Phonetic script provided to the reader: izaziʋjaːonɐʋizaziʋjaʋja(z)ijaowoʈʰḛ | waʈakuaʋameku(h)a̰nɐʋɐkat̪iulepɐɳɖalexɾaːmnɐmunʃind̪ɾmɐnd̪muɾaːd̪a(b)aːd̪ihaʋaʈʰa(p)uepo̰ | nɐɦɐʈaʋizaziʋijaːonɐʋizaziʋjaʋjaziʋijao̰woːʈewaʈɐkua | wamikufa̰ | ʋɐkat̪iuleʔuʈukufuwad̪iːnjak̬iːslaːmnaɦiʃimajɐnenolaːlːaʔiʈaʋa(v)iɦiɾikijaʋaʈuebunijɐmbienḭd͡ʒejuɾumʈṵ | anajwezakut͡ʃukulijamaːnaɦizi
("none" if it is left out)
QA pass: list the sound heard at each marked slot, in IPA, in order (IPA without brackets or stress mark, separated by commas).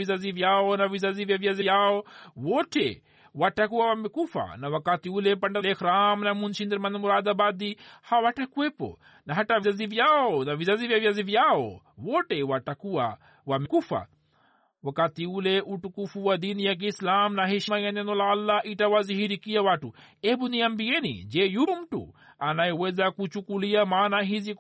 z, f, b, k, z